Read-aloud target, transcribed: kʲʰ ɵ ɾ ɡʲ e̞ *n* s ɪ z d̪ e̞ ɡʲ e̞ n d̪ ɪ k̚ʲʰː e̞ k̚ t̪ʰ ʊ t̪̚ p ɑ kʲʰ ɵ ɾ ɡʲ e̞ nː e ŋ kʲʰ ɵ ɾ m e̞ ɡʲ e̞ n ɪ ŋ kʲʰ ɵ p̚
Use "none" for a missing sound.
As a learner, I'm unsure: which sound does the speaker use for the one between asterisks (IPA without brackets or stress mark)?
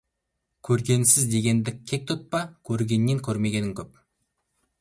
n